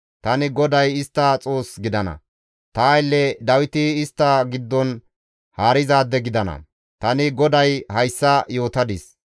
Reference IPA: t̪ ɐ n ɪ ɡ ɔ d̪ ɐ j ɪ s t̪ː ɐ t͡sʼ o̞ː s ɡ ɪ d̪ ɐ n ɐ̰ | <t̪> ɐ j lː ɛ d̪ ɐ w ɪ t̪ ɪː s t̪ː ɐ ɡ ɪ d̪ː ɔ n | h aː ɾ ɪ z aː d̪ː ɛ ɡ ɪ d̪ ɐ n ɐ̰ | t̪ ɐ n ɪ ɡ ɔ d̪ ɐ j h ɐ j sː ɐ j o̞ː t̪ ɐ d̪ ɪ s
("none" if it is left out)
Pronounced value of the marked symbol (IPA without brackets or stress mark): t̪